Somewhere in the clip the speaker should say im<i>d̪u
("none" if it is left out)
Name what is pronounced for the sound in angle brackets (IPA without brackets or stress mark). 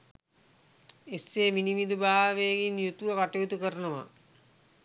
i